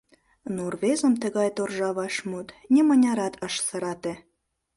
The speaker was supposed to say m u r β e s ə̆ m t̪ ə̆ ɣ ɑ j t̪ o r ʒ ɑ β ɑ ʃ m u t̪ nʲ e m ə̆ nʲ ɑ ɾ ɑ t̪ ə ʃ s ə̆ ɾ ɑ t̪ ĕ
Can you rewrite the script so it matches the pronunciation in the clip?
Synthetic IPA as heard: n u r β e z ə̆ m t̪ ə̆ ɣ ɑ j t̪ o r ʒ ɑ β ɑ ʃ m u t̪ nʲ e m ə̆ nʲ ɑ ɾ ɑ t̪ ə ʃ s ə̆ ɾ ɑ t̪ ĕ